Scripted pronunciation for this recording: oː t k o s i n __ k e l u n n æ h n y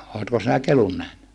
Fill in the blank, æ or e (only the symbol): æ